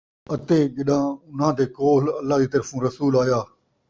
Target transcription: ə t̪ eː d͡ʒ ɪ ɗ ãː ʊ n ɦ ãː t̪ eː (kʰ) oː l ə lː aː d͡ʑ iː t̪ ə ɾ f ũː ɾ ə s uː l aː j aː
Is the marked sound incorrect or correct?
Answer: incorrect: k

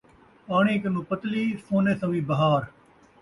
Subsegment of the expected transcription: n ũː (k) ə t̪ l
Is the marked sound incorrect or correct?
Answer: incorrect: p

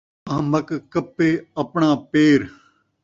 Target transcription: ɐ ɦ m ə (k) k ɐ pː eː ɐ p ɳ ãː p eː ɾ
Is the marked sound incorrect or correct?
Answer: correct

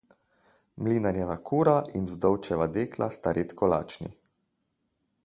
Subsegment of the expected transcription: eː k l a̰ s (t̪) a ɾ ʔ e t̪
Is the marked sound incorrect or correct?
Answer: correct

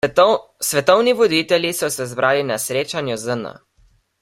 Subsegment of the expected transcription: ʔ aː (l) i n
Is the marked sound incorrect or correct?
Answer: correct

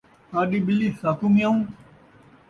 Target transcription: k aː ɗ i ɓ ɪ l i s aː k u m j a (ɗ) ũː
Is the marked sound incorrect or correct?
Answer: incorrect: none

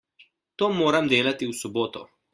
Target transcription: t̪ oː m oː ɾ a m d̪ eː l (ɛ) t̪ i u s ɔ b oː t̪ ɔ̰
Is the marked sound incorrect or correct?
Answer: incorrect: a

